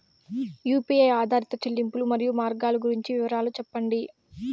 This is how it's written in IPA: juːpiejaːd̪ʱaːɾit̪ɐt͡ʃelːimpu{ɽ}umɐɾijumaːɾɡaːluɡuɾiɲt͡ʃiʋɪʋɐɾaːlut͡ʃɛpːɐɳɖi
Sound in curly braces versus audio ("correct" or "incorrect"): incorrect